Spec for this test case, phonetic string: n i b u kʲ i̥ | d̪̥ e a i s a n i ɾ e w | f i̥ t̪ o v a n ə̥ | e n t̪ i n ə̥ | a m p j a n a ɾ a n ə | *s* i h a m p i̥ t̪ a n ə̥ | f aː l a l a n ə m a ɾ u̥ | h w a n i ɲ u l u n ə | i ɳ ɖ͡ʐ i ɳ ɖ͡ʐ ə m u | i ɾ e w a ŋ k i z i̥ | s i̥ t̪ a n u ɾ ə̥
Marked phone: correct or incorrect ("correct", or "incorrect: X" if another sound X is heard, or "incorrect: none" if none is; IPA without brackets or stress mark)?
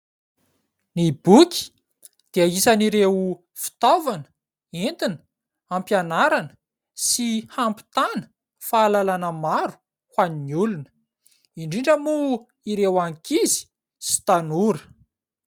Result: correct